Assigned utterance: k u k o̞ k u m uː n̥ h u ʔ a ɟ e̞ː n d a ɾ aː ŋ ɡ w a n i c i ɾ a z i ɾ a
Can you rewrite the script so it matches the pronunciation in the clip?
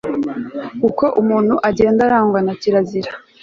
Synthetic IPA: k u k o̞ ʔ u m uː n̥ h u ʔ a ɟ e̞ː n d a ɾ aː ŋ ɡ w a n a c i ɾ a z i ɾ a